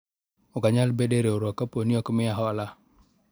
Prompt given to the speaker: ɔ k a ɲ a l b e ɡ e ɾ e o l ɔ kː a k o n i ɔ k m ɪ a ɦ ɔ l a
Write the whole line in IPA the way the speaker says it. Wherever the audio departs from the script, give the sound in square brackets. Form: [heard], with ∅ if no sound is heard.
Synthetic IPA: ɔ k a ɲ a l b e [d] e ɾ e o [ɾ] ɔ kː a [p] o n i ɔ k m ɪ a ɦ ɔ l a